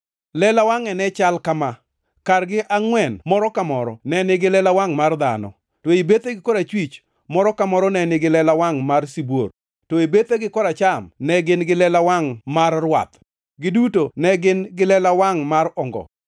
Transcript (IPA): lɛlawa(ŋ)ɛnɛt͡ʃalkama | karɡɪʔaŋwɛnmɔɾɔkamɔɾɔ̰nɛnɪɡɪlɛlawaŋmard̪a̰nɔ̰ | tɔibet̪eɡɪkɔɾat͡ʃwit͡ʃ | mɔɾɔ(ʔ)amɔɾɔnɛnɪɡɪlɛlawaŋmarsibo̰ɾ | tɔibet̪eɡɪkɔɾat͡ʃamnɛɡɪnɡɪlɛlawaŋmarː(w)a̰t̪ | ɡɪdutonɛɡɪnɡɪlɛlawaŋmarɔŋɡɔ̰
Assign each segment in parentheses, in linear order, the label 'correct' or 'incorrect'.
correct, incorrect: k, correct

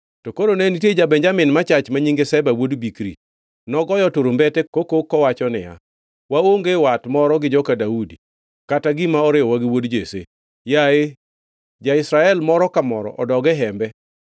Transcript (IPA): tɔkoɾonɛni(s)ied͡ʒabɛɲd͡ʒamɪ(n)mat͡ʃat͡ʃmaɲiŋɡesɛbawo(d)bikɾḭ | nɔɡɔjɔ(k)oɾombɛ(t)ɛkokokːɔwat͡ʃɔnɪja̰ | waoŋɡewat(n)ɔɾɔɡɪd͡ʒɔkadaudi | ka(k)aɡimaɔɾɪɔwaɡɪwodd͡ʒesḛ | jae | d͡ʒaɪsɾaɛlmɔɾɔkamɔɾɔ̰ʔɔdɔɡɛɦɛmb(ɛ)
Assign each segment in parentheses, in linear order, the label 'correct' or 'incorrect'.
incorrect: t, correct, correct, incorrect: t, correct, incorrect: m, incorrect: t, correct

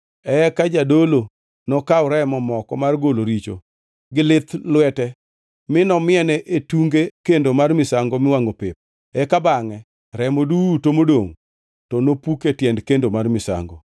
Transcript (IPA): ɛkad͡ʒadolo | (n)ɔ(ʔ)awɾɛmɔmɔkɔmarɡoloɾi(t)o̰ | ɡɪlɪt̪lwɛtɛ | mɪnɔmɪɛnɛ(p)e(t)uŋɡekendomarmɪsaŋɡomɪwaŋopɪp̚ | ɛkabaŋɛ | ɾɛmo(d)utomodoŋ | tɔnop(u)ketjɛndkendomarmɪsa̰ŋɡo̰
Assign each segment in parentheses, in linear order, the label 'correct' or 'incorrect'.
correct, incorrect: k, incorrect: t͡ʃ, incorrect: ʔ, correct, correct, correct

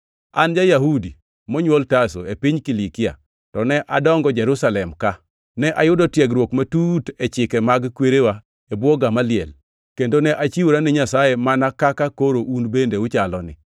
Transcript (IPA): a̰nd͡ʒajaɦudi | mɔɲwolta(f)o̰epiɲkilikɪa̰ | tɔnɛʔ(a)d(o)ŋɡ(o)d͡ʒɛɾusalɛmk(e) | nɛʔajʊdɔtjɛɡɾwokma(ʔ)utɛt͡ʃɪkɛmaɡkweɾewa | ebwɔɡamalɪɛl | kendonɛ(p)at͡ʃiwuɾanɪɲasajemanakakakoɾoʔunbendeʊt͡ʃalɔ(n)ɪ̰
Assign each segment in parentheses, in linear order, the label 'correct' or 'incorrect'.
incorrect: s, correct, incorrect: ɔ, incorrect: ɔ, incorrect: a, incorrect: t, incorrect: ʔ, correct

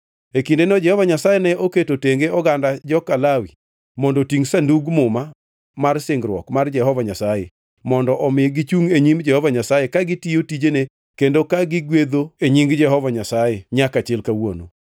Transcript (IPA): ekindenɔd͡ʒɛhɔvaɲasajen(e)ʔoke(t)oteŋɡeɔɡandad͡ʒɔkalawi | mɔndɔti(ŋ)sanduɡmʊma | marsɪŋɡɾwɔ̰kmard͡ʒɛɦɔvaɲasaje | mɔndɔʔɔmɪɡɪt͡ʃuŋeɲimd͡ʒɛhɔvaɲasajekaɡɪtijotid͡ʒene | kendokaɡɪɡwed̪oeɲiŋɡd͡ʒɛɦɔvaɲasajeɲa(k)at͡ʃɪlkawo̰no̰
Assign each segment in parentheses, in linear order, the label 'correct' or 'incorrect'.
incorrect: ɛ, correct, correct, correct

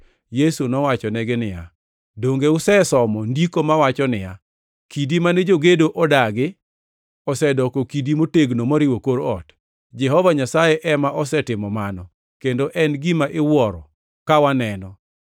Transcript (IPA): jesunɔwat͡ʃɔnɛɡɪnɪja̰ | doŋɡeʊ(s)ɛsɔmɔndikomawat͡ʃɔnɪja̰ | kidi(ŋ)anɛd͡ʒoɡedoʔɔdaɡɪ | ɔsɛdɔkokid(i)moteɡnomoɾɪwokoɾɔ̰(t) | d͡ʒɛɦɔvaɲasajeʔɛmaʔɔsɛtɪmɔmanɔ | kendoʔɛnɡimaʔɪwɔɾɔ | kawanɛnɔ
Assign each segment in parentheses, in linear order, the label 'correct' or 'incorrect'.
correct, incorrect: m, correct, correct

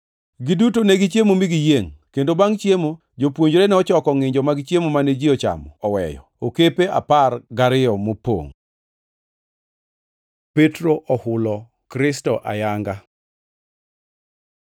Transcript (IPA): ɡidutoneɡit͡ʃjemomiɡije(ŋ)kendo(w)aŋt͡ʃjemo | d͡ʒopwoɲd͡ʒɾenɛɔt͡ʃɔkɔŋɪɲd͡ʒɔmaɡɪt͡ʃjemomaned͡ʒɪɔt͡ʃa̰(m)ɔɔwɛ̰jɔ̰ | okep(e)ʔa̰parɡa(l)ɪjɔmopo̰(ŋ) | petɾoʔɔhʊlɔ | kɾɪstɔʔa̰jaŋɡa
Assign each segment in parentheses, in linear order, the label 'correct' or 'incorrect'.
correct, incorrect: b, correct, correct, incorrect: ɾ, correct

